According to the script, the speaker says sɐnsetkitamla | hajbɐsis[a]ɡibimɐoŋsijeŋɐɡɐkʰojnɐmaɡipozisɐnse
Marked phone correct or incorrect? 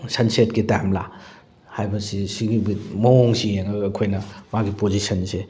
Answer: incorrect